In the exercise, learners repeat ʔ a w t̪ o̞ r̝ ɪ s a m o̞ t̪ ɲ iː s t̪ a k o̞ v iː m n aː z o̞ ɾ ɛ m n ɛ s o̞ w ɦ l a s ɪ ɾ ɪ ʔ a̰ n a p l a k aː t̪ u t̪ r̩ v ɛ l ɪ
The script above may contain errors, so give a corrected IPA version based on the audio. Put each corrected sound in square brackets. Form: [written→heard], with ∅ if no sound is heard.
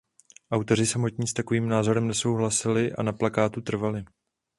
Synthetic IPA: ʔ a w t̪ o̞ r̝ ɪ s a m o̞ t̪ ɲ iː s t̪ a k o̞ v iː m n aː z o̞ ɾ ɛ m n ɛ s o̞ w ɦ l a s ɪ [ɾ→l] ɪ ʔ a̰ n a p l a k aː t̪ u t̪ r̩ v [ɛ→a] l ɪ